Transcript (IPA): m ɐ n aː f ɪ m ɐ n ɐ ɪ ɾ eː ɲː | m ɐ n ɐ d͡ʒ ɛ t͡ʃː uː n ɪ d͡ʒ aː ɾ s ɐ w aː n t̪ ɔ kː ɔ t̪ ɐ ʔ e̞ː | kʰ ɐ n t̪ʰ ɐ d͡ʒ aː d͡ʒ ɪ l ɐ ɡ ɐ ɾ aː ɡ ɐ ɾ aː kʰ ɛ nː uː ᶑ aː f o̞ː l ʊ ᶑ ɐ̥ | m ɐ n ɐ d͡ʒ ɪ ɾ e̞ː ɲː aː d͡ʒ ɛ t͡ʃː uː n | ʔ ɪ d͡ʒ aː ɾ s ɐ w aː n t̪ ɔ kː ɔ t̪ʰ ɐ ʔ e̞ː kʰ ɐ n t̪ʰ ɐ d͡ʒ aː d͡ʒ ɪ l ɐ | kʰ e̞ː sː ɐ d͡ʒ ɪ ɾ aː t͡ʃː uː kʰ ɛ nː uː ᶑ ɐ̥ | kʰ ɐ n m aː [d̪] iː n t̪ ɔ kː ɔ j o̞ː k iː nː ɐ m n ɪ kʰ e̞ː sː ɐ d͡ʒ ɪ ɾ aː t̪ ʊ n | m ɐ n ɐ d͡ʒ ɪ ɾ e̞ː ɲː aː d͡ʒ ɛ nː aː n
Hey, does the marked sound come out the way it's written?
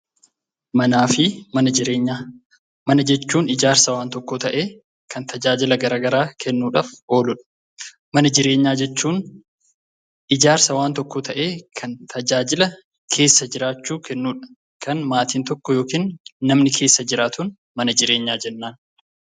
no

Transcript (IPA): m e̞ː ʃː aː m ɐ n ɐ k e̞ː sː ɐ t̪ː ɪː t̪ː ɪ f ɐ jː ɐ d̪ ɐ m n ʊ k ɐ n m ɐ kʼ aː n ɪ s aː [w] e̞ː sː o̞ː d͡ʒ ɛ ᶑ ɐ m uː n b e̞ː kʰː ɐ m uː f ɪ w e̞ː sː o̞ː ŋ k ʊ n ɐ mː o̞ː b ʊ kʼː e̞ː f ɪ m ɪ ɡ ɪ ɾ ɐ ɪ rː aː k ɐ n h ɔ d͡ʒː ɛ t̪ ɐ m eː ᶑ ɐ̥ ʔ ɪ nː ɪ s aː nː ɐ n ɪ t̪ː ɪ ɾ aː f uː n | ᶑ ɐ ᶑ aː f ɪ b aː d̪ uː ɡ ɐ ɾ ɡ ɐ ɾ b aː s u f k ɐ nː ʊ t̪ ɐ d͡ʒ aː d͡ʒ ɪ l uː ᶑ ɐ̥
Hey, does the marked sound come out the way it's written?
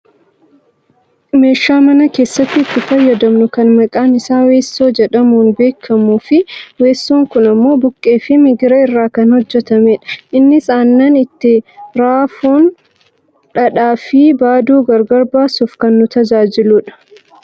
yes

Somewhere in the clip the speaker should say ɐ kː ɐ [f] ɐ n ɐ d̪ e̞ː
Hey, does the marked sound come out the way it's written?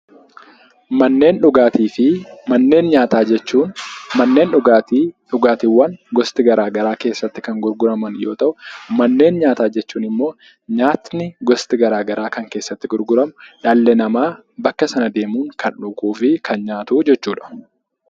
no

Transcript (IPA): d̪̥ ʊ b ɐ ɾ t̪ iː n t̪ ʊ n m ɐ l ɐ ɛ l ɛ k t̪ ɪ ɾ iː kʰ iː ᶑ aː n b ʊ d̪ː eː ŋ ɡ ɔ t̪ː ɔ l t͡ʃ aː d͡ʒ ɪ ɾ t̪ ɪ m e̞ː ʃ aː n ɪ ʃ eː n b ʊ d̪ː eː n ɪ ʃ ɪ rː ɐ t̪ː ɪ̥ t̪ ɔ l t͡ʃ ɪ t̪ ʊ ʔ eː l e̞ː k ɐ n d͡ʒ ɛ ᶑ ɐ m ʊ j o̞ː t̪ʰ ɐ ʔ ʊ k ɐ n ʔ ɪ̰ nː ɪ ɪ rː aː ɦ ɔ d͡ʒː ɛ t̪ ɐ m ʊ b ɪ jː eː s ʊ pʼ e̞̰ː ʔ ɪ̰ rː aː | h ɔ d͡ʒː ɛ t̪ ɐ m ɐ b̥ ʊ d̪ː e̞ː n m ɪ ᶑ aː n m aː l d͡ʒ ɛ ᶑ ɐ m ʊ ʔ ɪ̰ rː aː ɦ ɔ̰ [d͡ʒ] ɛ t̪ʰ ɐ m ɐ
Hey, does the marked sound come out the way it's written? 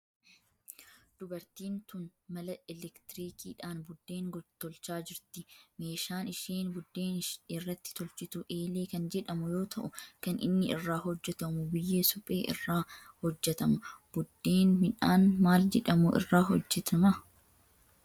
no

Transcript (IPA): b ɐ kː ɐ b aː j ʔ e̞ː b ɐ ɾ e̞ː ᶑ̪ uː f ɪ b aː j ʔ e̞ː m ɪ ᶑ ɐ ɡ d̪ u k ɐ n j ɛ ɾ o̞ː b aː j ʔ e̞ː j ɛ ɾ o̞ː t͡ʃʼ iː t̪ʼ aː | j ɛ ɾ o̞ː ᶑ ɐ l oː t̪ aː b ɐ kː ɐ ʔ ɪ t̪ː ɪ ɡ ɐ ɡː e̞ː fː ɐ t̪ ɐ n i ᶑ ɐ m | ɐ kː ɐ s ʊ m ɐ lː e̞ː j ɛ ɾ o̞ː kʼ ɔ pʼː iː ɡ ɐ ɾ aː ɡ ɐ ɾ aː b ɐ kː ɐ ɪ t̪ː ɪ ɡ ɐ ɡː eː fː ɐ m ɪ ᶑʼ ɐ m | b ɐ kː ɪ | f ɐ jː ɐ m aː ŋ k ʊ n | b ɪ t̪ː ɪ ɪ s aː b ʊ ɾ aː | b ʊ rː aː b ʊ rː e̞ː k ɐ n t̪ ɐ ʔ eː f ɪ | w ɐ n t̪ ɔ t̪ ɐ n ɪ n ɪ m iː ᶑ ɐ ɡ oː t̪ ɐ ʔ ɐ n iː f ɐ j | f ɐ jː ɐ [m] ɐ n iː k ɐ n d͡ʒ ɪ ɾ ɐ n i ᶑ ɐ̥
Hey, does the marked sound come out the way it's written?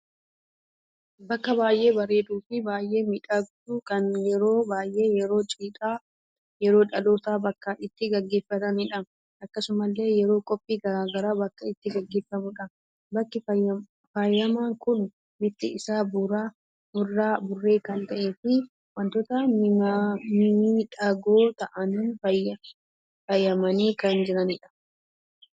yes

